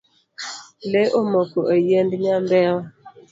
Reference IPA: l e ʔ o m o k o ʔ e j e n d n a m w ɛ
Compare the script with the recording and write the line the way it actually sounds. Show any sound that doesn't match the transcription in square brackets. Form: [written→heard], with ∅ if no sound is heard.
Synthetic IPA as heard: l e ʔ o m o k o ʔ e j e n d [n→ɲ] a m [w→b] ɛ

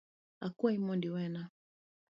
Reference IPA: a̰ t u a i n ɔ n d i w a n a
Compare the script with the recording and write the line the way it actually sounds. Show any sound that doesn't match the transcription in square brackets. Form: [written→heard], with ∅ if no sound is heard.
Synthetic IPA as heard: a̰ [t→k] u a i [n→m] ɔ n d i w [a→ɛ] n a

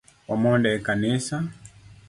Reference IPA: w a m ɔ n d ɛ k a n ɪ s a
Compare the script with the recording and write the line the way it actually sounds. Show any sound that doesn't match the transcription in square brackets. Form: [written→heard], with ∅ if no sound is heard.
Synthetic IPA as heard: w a m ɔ n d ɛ k a n [ɪ→i] s a

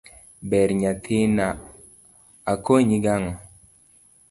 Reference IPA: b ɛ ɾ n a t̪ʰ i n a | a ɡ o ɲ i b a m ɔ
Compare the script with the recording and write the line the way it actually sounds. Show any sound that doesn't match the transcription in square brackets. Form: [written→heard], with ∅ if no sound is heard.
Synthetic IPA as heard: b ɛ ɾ [n→ɲ] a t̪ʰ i n a | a [ɡ→k] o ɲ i [b→ɡ] a [m→ŋ] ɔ

